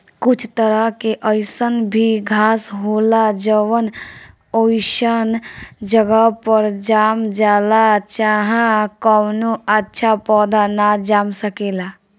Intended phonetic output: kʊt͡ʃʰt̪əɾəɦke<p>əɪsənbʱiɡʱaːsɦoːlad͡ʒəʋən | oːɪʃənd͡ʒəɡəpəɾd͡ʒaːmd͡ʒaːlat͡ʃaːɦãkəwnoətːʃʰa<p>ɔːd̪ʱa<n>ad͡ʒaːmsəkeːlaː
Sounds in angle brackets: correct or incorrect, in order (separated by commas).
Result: incorrect, correct, correct